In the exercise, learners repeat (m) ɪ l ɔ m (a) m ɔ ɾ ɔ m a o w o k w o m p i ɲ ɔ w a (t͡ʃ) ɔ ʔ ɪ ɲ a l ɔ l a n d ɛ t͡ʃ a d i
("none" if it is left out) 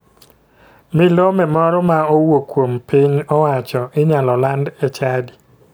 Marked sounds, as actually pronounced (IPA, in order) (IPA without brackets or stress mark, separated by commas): m, ɛ, t͡ʃ